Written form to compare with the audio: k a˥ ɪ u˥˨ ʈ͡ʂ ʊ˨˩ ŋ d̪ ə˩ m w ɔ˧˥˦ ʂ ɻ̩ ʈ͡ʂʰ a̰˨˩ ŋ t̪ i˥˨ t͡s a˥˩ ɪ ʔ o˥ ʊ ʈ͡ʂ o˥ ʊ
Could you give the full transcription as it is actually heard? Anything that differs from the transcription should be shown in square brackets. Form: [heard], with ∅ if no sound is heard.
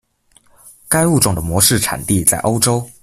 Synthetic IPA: k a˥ ɪ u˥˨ ʈ͡ʂ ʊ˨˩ ŋ d̪ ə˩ m w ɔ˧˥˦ ʂ ɻ̩ ʈ͡ʂʰ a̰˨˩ [n] t̪ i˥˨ t͡s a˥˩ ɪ ʔ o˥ ʊ ʈ͡ʂ o˥ ʊ